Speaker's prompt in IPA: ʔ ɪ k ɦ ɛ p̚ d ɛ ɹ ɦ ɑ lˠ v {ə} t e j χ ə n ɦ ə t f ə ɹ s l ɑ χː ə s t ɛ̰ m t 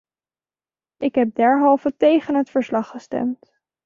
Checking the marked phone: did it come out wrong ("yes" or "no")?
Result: no